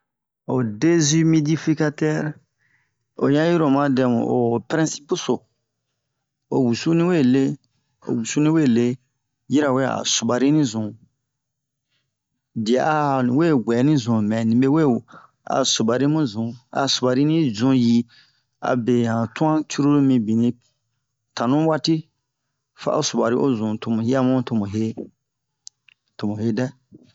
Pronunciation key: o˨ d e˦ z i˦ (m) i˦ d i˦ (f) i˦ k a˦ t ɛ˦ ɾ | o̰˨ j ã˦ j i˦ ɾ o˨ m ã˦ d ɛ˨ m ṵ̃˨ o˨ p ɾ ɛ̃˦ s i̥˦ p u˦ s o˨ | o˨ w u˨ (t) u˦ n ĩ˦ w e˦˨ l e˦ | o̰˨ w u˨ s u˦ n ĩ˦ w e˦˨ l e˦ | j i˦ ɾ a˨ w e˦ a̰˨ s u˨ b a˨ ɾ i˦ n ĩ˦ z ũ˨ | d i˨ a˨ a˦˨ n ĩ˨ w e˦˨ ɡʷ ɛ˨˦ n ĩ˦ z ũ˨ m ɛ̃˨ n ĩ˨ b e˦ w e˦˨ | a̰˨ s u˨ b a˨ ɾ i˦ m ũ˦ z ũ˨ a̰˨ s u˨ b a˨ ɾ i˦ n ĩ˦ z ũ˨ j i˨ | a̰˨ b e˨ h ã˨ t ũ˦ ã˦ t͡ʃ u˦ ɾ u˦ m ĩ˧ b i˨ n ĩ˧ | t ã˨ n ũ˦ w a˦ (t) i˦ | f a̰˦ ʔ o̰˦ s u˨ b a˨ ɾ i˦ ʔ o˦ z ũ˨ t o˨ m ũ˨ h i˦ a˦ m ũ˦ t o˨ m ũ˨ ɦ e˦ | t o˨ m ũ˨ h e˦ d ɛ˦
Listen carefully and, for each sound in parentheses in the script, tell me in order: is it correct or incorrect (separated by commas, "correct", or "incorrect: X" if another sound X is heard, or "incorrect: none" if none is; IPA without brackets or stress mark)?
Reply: correct, correct, incorrect: s, correct